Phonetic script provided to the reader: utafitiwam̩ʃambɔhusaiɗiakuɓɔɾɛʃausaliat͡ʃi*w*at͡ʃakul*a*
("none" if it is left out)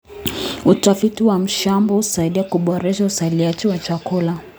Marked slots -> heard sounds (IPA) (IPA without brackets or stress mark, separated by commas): w, a